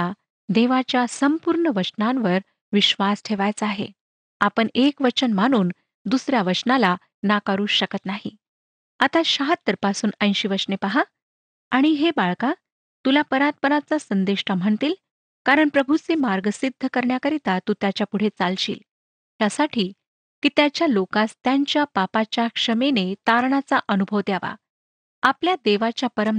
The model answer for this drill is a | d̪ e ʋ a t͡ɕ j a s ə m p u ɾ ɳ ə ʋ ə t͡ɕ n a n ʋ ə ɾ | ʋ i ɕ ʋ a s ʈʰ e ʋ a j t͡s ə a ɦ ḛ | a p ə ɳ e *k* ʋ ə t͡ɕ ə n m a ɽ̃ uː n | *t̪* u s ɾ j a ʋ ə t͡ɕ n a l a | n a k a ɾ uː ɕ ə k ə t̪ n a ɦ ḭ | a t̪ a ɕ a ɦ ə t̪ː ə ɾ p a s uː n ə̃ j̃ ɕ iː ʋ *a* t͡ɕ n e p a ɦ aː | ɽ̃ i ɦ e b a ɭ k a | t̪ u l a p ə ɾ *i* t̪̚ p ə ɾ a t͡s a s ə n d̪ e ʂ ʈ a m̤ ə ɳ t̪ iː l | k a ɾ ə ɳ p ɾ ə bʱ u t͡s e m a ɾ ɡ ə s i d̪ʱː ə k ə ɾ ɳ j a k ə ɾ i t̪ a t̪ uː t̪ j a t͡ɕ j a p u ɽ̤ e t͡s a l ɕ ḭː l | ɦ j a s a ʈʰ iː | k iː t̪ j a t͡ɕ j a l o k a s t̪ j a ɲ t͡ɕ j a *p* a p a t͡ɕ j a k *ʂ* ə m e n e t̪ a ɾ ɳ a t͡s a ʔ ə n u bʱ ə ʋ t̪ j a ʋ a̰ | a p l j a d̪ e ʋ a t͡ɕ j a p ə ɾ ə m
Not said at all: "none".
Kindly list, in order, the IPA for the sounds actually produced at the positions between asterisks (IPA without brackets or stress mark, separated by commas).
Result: k, d̪, ə, a, p, ʂ